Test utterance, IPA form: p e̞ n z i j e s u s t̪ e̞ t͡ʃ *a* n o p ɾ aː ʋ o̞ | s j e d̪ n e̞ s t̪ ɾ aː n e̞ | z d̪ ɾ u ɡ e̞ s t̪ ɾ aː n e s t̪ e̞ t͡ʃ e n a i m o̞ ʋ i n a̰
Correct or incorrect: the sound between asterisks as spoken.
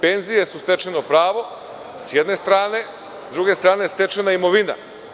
incorrect: e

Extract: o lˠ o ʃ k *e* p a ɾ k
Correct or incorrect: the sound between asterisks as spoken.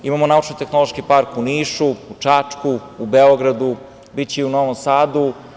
incorrect: i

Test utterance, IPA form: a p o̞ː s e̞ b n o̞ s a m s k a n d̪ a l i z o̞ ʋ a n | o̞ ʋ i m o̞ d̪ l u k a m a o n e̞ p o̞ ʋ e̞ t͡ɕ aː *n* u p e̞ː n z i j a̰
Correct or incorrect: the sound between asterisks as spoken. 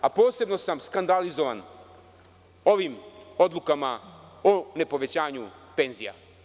incorrect: ɲ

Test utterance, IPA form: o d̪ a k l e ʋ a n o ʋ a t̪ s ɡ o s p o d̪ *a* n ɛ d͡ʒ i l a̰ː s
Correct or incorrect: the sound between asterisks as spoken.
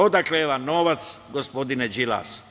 incorrect: i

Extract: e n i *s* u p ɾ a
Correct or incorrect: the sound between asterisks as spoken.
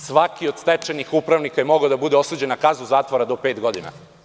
incorrect: x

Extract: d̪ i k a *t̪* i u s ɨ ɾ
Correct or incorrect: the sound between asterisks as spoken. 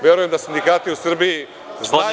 correct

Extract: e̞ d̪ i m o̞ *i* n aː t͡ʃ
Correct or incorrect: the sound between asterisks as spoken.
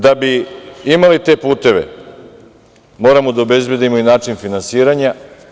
correct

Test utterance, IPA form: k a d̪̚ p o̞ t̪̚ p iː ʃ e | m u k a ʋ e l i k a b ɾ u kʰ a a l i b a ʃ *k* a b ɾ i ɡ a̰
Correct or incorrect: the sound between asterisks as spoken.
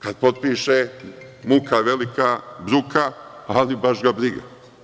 incorrect: ɡ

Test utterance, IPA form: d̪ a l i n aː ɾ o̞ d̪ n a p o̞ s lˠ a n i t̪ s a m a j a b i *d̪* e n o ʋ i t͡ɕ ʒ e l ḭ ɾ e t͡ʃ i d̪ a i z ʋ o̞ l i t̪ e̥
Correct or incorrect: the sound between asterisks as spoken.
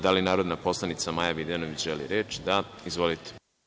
correct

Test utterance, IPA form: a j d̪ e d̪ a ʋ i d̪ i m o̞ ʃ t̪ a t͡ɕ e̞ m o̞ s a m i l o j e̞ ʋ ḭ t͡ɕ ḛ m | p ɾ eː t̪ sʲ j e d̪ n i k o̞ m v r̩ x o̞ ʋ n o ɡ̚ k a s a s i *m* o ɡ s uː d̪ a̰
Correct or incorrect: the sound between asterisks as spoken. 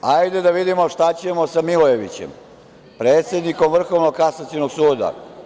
incorrect: n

